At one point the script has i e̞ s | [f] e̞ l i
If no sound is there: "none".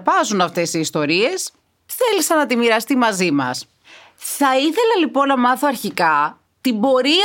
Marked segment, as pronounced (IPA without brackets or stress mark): θ